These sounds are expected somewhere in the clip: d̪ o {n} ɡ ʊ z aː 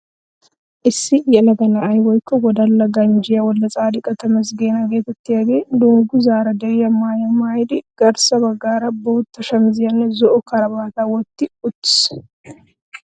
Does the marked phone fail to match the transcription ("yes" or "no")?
yes